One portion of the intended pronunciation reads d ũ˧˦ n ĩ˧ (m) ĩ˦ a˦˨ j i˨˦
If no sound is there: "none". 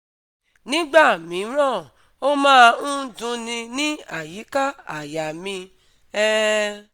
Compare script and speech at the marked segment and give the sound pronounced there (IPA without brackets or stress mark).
n